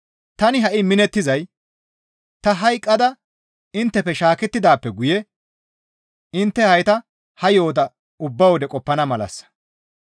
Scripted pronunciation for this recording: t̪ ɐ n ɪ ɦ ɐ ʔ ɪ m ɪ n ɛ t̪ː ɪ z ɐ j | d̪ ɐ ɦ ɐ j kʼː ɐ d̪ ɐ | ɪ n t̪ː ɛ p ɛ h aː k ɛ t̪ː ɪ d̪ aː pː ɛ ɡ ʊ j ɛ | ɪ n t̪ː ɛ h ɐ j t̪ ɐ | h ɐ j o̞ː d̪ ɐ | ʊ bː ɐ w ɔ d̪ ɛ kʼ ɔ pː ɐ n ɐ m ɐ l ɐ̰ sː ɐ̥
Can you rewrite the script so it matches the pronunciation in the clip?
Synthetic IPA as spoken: t̪ ɐ n ɪ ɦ ɐ ʔ ɪ m ɪ n ɛ t̪ː ɪ z ɐ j | t̪ ɐ ɦ ɐ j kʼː ɐ d̪ ɐ | ɪ n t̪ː ɛ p ɛ ʃ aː k ɛ t̪ː ɪ d̪ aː pː ɛ ɡ ʊ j ɛ | ɪ n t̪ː ɛ h ɐ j t̪ ɐ | h ɐ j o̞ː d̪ ɐ | ʊ bː ɐ w ɔ d̪ ɛ kʼ ɔ pː ɐ n ɐ m ɐ l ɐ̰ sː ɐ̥